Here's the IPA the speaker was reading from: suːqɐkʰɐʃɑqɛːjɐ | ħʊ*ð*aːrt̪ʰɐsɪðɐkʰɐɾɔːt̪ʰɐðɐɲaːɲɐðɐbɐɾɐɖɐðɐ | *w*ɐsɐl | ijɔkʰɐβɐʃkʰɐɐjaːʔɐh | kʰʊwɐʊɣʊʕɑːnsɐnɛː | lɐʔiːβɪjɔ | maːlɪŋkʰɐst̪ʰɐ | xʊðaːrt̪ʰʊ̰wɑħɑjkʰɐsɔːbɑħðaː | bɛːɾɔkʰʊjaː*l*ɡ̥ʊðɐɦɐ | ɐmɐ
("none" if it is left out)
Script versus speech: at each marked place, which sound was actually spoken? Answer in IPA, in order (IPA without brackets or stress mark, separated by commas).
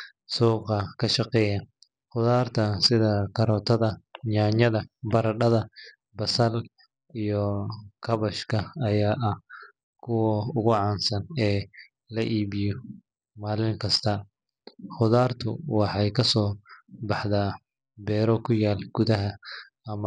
ð, b, l